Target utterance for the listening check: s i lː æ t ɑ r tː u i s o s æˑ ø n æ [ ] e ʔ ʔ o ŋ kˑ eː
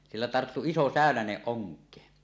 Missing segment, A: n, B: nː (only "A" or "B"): A